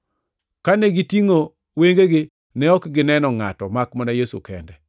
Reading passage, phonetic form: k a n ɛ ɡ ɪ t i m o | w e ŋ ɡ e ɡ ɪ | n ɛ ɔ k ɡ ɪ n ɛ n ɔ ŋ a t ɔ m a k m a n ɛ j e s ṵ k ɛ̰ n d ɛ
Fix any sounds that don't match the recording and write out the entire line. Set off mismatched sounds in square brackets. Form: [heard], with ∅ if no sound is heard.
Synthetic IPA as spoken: k a n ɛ ɡ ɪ t i [ŋ] o | w e ŋ ɡ e ɡ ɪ | n ɛ ɔ k ɡ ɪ n ɛ n ɔ ŋ a t ɔ m a k m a n [a] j e s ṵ k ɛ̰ n d ɛ